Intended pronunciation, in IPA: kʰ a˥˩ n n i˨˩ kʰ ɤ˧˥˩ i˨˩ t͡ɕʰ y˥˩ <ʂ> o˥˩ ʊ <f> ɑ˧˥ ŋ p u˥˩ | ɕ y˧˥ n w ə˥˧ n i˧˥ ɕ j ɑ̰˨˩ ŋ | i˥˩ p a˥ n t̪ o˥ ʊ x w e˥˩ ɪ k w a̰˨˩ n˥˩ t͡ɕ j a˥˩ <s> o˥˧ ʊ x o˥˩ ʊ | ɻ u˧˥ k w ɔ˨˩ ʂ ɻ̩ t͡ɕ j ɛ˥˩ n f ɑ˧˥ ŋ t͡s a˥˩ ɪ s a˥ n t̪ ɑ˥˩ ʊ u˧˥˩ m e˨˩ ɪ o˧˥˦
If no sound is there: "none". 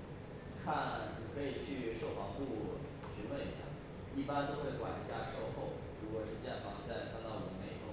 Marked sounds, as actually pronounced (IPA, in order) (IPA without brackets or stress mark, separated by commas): ʂ, f, ʂ